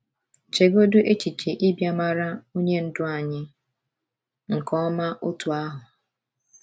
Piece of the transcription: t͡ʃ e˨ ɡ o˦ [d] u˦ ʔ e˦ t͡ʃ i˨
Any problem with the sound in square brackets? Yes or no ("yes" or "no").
no